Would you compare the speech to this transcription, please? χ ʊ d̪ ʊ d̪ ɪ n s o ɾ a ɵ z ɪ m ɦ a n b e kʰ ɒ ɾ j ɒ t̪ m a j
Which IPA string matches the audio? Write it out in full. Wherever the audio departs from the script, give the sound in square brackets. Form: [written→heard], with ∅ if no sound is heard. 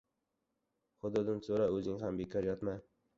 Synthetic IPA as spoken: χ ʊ d̪ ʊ d̪ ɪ n s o ɾ a ɵ z ɪ [m→ŋ] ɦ a [n→m] b e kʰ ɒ ɾ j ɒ t̪ m a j